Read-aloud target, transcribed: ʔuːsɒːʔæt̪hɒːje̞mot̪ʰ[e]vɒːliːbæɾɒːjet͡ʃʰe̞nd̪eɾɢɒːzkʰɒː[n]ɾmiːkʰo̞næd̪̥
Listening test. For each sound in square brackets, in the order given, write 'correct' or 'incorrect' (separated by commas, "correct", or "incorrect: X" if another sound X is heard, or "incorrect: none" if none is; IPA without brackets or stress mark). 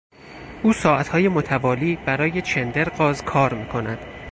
incorrect: æ, incorrect: none